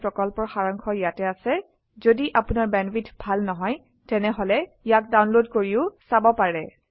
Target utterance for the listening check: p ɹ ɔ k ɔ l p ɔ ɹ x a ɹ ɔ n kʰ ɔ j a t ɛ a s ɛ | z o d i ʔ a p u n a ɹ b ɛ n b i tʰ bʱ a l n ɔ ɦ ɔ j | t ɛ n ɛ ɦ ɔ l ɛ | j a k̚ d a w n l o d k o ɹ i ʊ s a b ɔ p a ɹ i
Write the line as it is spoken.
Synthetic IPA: p ɹ ɔ k ɔ l p ɔ ɹ x a ɹ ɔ ŋ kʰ ɔ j a t ɛ a s ɛ | z o d i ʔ a p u n a ɹ b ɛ n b i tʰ bʱ a l n ɔ ɦ ɔ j | t ɛ n ɛ ɦ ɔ l ɛ | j a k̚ d a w n l o d k o ɹ i ʊ s a b ɔ p a ɹ ɛ